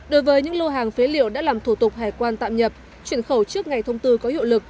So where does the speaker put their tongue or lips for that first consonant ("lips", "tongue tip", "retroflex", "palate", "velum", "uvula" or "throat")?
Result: tongue tip